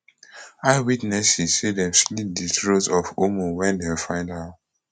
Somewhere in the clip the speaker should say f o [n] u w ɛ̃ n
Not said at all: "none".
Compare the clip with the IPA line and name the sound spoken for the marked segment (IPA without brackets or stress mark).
m